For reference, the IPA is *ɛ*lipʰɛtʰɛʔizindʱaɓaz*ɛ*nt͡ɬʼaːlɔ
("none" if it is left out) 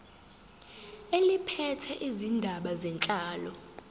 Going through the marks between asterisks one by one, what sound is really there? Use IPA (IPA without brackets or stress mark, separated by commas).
e, ɛ